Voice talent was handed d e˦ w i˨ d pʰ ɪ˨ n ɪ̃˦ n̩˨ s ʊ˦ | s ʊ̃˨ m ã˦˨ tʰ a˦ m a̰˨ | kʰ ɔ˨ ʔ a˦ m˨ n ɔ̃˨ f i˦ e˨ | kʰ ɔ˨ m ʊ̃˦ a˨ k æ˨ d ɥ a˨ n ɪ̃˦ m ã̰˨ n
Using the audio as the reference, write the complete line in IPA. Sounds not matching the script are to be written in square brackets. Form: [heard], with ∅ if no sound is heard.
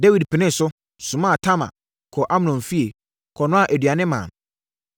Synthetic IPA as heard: d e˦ w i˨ d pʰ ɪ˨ n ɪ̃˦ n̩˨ s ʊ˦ | s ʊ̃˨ m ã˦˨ tʰ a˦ m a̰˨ | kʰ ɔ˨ ʔ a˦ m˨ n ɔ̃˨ f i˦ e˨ | kʰ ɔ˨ [n] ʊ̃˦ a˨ [ʔ] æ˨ d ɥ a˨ n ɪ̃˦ m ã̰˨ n

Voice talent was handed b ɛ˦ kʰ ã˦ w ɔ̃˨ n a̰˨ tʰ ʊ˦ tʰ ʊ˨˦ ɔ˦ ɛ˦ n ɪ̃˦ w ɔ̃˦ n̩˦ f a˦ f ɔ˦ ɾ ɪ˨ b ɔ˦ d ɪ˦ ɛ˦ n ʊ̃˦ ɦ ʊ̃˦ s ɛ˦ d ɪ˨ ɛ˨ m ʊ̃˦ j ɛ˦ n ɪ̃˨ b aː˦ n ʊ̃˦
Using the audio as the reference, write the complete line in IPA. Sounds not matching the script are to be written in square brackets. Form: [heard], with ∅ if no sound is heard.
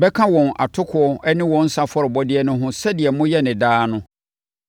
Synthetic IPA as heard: b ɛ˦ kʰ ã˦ w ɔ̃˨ n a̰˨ tʰ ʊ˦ [kʰ] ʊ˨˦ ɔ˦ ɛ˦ n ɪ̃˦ w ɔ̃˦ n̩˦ [s] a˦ f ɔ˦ ɾ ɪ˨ b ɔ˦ d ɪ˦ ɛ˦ n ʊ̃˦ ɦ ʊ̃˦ s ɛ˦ d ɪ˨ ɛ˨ m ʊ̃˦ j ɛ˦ n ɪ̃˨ [d] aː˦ n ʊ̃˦

